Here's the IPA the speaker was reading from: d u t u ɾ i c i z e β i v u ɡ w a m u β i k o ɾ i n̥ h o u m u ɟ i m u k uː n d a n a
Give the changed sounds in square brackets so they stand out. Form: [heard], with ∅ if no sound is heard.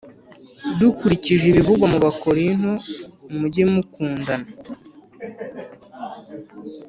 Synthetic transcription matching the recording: d u [k] u ɾ i c i [ʒ] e β i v u ɡ w a m u β [a] k o ɾ i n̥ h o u m u ɟ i m u k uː n d a n a